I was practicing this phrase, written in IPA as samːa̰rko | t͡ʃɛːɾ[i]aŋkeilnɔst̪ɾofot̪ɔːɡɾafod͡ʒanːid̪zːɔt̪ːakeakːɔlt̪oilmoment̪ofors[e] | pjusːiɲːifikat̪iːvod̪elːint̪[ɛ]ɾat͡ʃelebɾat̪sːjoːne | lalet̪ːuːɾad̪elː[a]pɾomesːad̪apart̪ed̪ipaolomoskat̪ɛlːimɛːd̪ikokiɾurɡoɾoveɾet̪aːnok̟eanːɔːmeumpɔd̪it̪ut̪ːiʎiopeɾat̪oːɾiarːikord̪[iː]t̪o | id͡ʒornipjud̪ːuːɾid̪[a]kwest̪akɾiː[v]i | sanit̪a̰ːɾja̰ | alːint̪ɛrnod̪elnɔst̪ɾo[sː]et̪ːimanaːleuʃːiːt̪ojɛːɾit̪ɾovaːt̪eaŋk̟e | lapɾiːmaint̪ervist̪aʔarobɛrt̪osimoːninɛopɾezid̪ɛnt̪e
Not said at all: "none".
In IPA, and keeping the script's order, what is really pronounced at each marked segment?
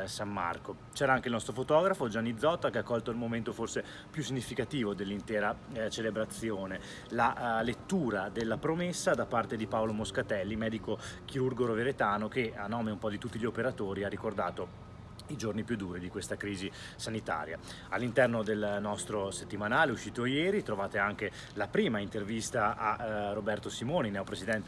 a, e, ɛː, a, aː, i, z, s

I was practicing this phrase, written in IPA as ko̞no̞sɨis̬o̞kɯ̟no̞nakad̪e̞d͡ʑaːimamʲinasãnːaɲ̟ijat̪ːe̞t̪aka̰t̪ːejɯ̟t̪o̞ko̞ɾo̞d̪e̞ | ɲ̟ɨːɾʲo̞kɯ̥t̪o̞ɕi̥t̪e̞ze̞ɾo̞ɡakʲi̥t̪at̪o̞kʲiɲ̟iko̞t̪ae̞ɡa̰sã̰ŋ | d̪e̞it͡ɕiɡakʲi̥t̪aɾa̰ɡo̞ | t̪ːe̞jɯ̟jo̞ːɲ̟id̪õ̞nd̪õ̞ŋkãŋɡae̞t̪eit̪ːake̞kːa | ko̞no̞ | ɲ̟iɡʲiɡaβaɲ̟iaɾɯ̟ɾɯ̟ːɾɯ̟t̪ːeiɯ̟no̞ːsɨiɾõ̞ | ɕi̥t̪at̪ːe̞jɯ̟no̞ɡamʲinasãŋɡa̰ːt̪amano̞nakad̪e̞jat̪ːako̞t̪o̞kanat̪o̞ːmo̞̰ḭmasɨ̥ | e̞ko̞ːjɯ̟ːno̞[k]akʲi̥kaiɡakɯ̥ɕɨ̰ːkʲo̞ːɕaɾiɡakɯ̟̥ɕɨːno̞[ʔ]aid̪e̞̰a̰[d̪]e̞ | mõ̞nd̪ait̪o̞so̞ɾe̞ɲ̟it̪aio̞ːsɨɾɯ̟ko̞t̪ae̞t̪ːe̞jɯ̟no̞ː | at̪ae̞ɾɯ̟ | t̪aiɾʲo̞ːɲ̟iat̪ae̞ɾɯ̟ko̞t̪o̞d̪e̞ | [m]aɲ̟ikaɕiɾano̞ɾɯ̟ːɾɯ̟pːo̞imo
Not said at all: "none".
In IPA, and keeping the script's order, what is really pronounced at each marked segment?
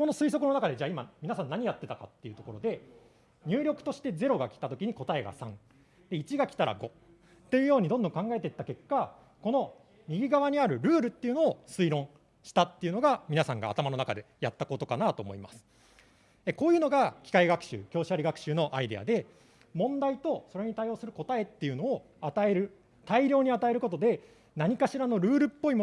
ɡ, ʔ, d̪, n

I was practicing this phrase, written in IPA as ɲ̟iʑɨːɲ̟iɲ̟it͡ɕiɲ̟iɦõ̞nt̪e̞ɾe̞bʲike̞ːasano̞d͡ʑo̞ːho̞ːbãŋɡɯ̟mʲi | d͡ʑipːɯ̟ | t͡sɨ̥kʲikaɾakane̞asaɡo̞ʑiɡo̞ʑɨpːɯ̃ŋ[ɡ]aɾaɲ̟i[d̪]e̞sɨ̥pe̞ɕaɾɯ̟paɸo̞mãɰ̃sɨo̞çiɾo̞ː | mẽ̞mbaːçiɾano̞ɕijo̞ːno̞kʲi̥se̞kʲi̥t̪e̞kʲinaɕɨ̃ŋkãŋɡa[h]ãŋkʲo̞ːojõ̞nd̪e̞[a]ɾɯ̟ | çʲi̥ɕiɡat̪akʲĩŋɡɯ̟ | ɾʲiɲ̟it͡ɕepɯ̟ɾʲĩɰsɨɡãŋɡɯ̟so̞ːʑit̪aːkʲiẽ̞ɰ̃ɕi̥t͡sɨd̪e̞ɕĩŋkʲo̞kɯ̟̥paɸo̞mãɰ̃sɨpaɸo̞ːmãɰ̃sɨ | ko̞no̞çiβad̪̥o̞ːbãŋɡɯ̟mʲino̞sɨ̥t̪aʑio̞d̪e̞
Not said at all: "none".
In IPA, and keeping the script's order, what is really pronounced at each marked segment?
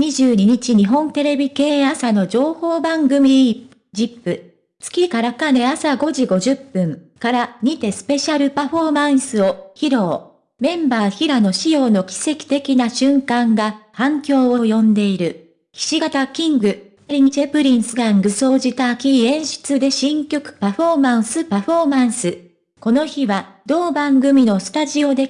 k, t̪, h, i

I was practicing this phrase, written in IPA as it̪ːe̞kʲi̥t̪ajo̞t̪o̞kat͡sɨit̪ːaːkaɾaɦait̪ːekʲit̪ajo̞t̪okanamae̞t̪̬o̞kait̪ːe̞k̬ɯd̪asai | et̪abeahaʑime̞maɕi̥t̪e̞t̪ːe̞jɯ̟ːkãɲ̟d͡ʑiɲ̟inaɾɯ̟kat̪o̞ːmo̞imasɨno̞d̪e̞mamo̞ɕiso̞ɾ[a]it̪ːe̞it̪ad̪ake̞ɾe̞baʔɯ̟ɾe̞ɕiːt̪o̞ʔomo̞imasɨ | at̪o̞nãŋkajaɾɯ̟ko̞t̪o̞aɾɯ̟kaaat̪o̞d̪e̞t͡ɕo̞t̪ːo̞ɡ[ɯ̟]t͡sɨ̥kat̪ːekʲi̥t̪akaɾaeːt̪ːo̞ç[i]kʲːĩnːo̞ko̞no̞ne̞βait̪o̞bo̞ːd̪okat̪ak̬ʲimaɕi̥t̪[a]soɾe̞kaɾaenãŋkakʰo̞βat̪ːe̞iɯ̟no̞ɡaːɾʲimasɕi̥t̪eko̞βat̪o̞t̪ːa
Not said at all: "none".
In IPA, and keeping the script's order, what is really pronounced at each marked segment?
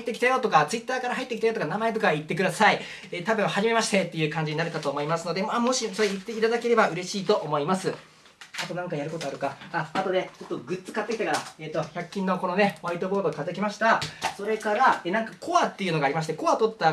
e, ɯ̟, a, a

